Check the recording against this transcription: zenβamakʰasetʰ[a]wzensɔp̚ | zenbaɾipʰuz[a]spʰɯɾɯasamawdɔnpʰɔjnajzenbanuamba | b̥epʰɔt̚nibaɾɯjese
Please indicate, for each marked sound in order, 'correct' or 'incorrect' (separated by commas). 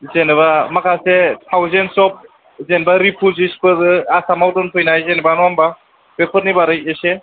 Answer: correct, incorrect